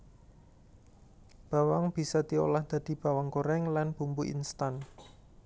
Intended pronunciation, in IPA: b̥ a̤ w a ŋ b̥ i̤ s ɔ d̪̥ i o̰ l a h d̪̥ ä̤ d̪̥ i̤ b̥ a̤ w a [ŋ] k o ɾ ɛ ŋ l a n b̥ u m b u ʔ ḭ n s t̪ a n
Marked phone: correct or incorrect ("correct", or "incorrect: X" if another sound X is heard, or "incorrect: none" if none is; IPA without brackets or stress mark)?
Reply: correct